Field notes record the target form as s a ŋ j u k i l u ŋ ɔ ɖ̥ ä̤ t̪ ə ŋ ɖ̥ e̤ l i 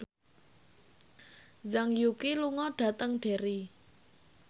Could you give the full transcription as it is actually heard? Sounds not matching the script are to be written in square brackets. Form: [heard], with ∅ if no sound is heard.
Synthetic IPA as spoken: [z] a ŋ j u k i l u ŋ ɔ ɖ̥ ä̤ t̪ ə ŋ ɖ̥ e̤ [ɾ] i